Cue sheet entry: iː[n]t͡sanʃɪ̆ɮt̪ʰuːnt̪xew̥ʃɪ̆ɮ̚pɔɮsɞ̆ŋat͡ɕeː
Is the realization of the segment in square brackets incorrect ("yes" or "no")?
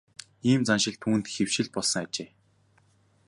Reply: yes